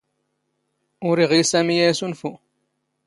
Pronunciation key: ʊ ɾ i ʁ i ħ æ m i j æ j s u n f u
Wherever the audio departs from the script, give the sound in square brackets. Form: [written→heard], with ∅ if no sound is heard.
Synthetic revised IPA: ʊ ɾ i ʁ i [ħ→s] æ m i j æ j s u n f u